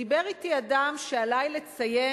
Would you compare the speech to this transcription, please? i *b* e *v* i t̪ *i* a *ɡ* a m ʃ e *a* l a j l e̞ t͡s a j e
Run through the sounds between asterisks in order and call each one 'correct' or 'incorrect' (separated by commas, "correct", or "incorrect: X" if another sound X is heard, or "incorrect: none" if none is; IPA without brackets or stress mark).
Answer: correct, incorrect: ʁ, correct, incorrect: d, correct